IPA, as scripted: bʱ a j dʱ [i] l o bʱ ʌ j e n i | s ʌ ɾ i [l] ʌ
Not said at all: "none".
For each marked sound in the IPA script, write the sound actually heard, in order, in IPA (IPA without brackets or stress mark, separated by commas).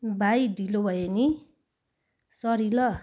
i, l